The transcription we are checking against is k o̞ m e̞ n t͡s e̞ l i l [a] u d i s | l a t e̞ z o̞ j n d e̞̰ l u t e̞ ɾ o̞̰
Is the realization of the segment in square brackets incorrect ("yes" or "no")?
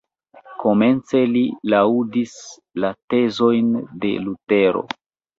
no